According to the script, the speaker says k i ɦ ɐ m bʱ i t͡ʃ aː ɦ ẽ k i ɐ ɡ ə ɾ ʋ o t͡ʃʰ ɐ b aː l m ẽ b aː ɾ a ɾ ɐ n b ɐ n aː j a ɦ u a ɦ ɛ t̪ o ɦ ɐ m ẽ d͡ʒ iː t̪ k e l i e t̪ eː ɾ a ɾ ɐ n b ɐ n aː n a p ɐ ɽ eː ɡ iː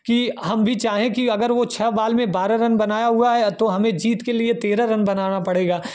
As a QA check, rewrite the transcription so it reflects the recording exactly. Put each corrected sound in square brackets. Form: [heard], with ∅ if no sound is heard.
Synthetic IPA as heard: k i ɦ ɐ m bʱ i t͡ʃ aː ɦ ẽ k i ɐ ɡ ə ɾ ʋ o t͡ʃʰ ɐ b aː l m ẽ b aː ɾ a ɾ ɐ n b ɐ n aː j a ɦ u a ɦ ɛ t̪ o ɦ ɐ m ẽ d͡ʒ iː t̪ k e l i e t̪ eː ɾ a ɾ ɐ n b ɐ n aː n a p ɐ ɽ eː ɡ [aː]